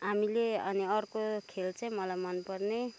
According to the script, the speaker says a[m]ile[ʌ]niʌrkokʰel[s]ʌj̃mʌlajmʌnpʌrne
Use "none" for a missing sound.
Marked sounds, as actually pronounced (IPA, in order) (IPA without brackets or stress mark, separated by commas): m, ʌ, t͡s